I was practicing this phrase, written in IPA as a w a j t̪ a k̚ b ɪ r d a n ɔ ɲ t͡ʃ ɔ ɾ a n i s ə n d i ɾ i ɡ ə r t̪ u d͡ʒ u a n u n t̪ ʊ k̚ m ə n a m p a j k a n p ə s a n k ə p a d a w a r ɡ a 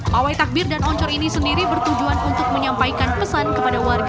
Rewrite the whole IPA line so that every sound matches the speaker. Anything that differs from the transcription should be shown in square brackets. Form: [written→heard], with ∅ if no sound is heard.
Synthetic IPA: a w a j t̪ a k̚ b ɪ r d a n ɔ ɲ t͡ʃ ɔ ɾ [a→i] n i s ə n d i ɾ i [ɡ→b] ə r t̪ u d͡ʒ u a n u n t̪ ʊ k̚ m ə [n→ɲ] a m p a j k a n p ə s a n k ə p a d a w a r ɡ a